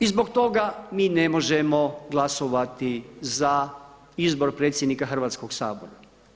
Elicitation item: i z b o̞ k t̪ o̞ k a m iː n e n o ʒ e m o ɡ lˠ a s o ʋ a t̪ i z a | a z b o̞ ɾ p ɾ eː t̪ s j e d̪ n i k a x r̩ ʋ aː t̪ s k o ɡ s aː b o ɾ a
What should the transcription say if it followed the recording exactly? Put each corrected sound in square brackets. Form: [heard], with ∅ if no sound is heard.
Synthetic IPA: i z b o̞ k t̪ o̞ [ɡ] a m iː n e [m] o ʒ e m o ɡ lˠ a s o ʋ a t̪ i z a | [i] z b o̞ ɾ p ɾ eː t̪ s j e d̪ n i k a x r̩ ʋ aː t̪ s k o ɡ s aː b o ɾ a